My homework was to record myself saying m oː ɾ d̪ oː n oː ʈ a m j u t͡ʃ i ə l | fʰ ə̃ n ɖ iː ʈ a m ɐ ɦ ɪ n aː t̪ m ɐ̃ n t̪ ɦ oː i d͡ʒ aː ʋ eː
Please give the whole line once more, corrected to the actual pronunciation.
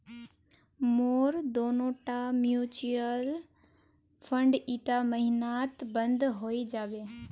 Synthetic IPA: m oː ɾ d̪ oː n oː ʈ a m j u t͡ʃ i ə l | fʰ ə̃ ɳ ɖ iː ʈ a m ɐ ɦ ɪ n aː t̪ b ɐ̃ n d̪ ɦ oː i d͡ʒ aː ʋ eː